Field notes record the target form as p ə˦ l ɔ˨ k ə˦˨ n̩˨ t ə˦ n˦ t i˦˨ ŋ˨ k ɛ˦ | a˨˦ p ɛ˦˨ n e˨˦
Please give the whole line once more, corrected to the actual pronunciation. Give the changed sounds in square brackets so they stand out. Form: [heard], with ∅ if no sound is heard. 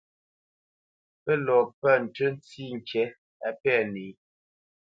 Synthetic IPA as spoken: p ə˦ l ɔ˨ [p] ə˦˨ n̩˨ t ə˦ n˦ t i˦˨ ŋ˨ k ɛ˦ | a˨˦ p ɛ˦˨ n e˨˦